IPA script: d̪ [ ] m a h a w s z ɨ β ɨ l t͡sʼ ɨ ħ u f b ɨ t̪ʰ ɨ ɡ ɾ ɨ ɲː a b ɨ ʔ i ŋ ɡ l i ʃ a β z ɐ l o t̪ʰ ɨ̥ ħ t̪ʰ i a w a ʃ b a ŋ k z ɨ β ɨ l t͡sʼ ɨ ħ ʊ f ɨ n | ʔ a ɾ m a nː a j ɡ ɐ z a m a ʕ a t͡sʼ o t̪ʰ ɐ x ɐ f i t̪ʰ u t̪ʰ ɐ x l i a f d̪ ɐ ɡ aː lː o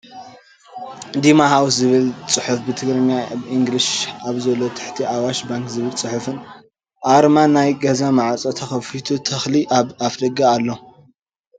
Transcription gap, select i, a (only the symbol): i